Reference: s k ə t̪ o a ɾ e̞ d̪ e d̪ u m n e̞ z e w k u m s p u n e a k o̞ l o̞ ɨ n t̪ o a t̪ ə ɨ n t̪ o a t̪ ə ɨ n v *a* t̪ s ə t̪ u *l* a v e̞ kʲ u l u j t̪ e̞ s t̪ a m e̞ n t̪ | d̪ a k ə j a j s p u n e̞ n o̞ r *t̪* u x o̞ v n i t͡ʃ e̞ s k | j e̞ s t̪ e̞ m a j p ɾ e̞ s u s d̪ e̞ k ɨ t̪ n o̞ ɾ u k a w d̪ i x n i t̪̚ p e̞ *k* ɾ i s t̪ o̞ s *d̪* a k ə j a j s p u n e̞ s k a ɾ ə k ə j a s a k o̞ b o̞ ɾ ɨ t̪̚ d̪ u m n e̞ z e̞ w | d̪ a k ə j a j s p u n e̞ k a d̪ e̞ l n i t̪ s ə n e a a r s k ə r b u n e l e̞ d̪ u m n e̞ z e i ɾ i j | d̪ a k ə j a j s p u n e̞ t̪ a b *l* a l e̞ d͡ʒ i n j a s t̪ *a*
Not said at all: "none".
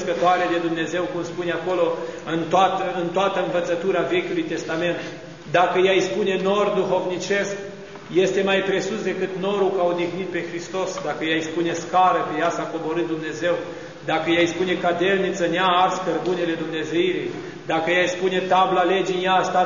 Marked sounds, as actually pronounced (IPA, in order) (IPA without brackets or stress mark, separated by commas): ə, ɾ, d̪, x, d̪, l, a